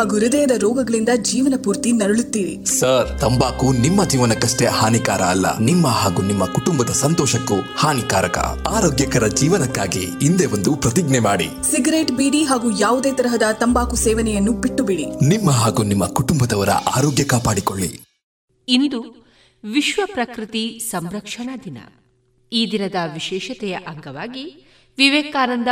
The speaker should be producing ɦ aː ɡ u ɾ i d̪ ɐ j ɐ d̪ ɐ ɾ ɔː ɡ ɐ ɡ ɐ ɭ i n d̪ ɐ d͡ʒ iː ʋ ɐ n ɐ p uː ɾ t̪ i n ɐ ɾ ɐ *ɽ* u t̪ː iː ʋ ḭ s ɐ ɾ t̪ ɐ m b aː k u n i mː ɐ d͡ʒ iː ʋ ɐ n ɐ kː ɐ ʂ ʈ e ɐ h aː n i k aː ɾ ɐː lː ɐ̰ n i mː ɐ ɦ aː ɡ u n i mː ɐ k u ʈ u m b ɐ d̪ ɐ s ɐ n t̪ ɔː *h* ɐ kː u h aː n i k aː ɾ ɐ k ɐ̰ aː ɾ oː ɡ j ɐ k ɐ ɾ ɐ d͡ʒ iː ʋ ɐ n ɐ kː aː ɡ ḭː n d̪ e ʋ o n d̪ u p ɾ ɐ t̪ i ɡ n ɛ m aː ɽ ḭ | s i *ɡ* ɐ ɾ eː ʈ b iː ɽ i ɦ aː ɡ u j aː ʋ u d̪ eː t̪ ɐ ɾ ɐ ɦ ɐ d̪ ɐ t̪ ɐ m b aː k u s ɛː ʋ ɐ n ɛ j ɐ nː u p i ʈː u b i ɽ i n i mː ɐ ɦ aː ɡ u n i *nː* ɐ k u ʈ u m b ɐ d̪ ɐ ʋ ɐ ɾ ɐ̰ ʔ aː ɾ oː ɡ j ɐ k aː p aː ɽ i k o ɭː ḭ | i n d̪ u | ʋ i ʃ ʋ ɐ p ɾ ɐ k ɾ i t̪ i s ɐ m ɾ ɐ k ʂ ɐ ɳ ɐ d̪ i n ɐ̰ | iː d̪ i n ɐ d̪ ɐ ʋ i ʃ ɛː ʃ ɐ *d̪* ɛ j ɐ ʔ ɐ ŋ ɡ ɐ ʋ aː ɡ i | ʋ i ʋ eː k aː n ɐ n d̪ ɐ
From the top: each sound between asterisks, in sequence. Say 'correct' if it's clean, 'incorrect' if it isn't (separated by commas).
incorrect, incorrect, correct, incorrect, incorrect